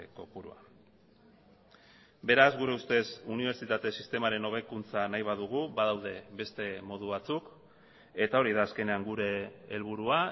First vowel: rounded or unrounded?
rounded